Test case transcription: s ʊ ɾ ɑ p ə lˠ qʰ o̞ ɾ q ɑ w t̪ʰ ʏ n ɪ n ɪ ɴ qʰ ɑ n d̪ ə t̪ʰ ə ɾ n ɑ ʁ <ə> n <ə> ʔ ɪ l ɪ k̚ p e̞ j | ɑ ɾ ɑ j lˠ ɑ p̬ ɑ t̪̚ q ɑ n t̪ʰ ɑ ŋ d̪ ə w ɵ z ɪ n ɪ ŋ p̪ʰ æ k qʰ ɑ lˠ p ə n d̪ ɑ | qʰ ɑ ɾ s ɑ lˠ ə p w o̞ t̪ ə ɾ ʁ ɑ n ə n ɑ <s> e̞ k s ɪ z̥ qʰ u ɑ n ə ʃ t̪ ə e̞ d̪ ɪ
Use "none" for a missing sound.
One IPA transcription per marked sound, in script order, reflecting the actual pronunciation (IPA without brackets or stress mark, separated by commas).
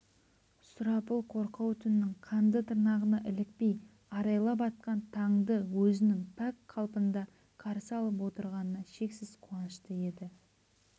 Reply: ə, ɑ, ʃ